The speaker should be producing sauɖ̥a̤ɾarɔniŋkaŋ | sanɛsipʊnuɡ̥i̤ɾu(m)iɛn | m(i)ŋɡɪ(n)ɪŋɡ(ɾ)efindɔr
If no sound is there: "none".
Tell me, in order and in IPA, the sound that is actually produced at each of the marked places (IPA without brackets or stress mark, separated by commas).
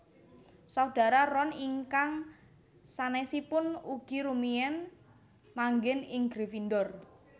m, a, n, ɾ